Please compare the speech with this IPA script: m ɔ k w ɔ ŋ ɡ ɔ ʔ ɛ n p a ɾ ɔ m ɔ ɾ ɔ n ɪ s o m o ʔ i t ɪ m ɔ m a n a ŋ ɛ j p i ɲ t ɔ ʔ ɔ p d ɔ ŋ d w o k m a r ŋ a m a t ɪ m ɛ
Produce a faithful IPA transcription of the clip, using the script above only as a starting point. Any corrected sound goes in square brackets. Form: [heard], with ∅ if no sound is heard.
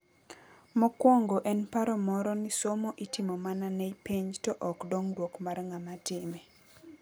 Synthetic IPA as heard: m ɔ k w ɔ ŋ ɡ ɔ ʔ ɛ n p a ɾ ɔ m ɔ ɾ ɔ n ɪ s o m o ʔ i t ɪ m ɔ m a n a [n] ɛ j p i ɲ t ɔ ʔ ɔ [k] d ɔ ŋ d w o k m a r ŋ a m a t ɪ m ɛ